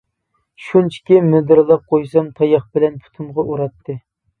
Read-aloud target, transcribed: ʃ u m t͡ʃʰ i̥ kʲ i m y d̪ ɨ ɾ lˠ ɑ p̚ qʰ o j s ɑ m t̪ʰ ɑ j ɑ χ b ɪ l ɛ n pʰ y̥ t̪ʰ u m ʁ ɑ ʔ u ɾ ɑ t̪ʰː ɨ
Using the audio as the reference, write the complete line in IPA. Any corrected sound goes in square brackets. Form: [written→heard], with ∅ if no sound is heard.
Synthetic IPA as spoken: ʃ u [m→n] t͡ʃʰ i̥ kʲ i m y d̪ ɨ ɾ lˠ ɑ p̚ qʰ o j s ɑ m t̪ʰ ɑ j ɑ χ b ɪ l ɛ n pʰ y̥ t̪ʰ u m ʁ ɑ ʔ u ɾ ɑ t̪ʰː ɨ